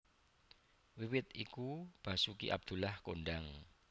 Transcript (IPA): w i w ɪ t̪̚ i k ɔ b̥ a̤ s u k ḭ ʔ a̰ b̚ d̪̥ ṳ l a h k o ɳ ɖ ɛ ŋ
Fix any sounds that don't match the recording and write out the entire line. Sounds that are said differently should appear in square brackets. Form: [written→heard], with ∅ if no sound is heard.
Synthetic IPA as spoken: w i w ɪ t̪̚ i k [ɔ→u] b̥ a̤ s u k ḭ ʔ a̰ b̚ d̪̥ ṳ l a h k o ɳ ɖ [ɛ→a] ŋ